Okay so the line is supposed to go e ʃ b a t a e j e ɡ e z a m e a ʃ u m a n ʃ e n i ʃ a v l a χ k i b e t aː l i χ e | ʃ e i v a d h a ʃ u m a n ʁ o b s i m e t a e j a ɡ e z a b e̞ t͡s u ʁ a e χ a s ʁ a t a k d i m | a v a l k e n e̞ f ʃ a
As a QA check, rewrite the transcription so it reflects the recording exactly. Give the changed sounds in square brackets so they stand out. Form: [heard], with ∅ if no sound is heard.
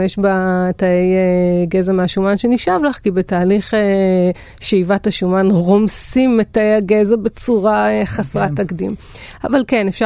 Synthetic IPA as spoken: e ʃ b a t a e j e ɡ e z a m e a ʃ u m a n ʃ e n i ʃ a v l a χ k i b e t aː l i χ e | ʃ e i v a [t] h a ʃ u m a n ʁ o [m] s i m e t a e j a ɡ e z a b e̞ t͡s u ʁ a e χ a s ʁ a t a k d i m | a v a l k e n e̞ f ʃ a